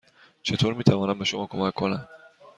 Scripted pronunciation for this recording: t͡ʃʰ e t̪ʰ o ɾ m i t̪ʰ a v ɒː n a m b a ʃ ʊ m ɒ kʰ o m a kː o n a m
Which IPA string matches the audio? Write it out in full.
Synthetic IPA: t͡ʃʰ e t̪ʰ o ɾ m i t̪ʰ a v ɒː n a m b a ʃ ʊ m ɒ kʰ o m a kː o n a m